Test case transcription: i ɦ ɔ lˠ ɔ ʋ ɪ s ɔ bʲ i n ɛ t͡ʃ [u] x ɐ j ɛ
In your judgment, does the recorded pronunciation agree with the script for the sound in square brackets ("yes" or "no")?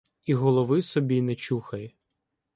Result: yes